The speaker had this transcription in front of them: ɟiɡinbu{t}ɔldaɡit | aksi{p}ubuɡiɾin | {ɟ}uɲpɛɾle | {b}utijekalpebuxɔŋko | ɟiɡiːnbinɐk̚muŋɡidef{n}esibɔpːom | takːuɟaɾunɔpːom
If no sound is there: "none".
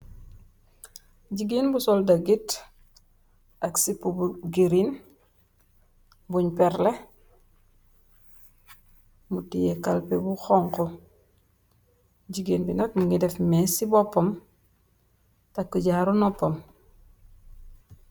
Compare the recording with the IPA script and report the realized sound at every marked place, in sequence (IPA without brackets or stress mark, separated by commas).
s, p, b, m, m